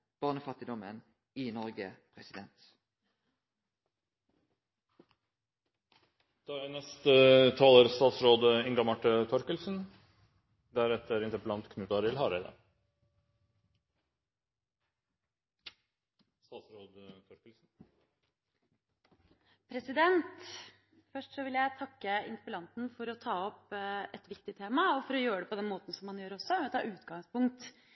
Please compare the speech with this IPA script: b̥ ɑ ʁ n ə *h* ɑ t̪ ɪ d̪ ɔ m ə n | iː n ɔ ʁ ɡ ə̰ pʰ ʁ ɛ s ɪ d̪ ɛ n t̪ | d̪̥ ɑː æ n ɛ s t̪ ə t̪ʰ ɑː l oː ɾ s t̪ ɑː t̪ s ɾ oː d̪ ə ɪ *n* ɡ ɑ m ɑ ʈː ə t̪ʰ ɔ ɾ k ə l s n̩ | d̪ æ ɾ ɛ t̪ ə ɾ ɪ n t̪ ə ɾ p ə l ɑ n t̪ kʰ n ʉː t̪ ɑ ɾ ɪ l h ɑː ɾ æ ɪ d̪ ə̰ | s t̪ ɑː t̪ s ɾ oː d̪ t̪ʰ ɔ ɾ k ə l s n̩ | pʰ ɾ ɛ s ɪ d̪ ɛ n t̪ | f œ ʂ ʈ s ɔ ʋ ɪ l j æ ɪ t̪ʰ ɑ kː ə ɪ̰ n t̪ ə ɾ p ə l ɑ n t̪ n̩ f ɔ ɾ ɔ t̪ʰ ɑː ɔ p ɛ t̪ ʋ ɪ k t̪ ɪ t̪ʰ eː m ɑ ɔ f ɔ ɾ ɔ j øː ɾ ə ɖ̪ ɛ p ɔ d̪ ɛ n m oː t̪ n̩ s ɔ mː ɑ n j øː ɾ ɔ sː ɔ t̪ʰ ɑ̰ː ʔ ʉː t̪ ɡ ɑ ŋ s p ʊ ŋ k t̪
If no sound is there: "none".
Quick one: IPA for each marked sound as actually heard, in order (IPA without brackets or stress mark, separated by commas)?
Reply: f, ŋ